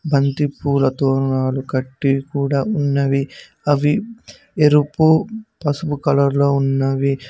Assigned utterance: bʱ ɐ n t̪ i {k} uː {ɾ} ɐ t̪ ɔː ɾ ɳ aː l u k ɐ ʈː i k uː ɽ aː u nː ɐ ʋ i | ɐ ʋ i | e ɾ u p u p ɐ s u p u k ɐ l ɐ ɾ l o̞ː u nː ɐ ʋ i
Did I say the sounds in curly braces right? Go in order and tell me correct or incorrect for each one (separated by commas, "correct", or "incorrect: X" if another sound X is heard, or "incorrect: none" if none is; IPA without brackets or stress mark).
incorrect: p, incorrect: l